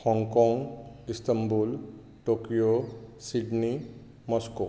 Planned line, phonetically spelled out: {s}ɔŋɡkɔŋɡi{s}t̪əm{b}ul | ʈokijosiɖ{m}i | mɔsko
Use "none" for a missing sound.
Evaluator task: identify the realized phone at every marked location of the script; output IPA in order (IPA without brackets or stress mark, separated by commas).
h, s, b, n